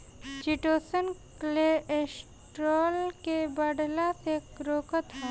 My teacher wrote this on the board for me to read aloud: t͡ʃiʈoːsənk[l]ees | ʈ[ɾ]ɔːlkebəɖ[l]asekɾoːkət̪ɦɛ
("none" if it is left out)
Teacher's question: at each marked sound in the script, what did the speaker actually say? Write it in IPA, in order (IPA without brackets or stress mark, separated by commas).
l, ɾ, l